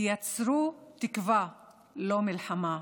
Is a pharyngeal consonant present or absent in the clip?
present